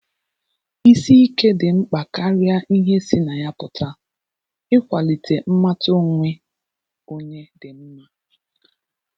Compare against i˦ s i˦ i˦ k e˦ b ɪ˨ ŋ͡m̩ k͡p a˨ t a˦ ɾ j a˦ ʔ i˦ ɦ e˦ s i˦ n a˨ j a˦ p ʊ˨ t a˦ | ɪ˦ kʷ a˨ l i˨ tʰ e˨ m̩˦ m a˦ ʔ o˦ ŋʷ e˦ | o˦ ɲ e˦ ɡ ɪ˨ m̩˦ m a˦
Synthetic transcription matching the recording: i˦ s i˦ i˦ k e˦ d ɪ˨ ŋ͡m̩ k͡p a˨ k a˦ ɾ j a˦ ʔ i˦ ɦ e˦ s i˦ n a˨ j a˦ p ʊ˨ t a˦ | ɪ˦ kʷ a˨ l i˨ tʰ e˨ m̩˦ m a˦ t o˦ ŋʷ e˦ | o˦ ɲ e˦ d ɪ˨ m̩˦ m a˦